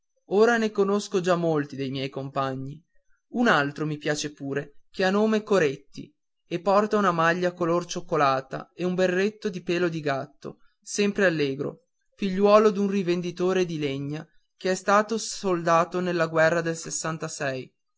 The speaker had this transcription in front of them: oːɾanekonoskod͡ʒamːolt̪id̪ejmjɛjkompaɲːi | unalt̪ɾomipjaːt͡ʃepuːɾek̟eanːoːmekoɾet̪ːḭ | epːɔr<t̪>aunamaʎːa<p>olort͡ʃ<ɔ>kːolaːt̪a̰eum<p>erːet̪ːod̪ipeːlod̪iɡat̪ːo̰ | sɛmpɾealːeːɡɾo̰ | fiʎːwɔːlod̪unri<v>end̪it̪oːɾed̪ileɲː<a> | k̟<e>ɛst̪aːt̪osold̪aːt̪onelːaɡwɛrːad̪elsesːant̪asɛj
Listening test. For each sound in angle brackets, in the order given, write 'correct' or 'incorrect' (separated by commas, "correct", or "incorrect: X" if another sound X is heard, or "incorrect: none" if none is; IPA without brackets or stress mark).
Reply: correct, incorrect: k, incorrect: o, incorrect: b, correct, correct, correct